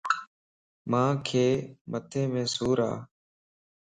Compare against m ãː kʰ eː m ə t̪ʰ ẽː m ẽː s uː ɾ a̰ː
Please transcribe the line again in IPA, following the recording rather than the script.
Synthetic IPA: m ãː kʰ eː m ə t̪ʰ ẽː m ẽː s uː ɾ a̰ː

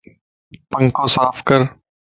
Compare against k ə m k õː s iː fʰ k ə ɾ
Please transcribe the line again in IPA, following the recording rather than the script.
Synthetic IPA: p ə ŋ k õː s aː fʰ k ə ɾ

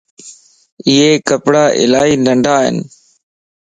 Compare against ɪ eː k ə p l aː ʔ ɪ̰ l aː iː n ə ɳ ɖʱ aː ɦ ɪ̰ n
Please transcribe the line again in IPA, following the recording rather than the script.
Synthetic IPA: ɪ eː k ə p ɽ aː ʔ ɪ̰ l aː iː n ə ɳ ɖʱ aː ɦ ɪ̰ n

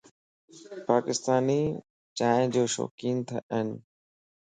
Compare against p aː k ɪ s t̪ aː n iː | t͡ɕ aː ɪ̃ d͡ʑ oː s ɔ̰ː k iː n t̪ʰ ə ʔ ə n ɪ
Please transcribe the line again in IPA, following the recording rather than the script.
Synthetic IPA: p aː k ɪ s t̪ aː n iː | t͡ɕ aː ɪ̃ d͡ʑ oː ʃ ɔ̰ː k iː n t̪ʰ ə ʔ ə n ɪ

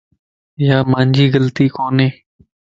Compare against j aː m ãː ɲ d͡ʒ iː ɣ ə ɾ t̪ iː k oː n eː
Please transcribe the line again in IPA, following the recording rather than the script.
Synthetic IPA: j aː m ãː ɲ d͡ʒ iː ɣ ə l t̪ iː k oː n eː

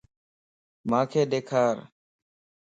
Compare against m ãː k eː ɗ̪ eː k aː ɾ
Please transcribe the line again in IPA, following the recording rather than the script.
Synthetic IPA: m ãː kʰ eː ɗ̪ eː kʰ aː ɾ

